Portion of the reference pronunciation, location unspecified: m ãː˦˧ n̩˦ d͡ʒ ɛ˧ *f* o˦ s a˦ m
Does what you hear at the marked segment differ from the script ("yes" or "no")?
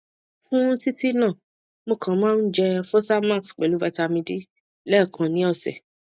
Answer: no